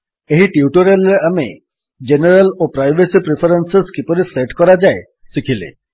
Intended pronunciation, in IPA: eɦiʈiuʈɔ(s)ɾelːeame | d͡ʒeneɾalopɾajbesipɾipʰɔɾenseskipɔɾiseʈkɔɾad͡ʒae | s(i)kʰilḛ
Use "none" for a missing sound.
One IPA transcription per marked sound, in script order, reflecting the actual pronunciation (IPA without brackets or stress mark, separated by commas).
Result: none, i